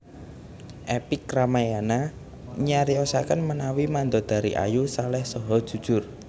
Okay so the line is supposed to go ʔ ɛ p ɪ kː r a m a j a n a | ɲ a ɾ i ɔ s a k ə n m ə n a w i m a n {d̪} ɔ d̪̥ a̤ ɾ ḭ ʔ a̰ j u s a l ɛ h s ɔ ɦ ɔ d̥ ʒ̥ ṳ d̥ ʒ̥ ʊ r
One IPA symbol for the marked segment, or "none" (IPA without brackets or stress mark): d̪